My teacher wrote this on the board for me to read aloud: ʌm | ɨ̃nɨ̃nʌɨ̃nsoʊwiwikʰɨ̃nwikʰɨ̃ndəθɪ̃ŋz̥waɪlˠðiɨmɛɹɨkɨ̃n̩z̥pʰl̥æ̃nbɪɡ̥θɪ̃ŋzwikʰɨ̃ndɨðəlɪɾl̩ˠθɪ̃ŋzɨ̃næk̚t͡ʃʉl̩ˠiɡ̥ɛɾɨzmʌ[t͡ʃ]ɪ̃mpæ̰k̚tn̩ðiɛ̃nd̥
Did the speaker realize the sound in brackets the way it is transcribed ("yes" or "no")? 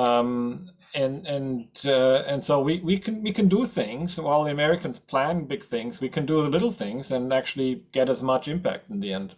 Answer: yes